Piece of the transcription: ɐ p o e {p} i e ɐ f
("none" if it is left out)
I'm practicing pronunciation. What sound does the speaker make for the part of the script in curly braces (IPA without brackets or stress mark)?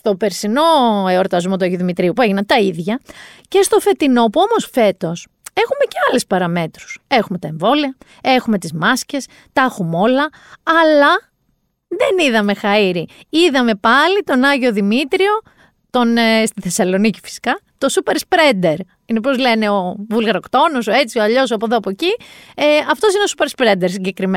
c